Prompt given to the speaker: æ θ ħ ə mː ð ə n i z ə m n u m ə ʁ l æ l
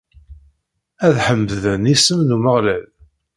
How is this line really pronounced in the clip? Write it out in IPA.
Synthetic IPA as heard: æ ð ħ ə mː ð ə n i s ə m n u m ə ʁ l æ l